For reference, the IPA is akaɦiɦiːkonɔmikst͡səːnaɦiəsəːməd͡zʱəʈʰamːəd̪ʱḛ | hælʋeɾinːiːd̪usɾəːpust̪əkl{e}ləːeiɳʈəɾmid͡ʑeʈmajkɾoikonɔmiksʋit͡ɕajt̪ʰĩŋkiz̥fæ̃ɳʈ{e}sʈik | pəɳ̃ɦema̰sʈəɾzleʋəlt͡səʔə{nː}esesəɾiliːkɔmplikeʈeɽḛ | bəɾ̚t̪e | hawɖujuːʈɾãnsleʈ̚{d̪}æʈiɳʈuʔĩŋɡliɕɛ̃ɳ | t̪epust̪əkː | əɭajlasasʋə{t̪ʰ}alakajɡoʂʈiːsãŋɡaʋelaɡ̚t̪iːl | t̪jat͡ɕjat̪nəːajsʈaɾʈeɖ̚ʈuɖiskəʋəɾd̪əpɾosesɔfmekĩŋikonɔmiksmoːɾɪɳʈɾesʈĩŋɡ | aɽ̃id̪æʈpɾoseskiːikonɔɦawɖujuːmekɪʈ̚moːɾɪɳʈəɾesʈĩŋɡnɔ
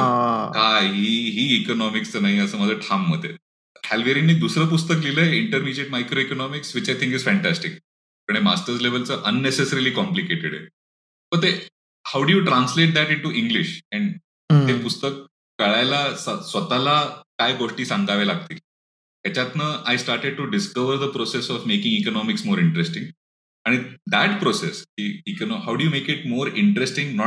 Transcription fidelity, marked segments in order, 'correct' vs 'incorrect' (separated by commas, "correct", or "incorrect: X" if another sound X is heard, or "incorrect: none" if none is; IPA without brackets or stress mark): incorrect: i, incorrect: æ, correct, correct, incorrect: t̪